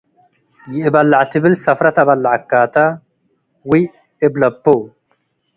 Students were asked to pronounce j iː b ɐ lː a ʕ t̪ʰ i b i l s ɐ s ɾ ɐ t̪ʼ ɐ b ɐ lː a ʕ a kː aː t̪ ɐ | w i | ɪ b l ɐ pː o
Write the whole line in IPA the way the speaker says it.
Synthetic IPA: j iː b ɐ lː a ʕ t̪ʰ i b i l s ɐ f ɾ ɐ t̪ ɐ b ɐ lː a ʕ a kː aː t̪ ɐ | w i | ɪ b l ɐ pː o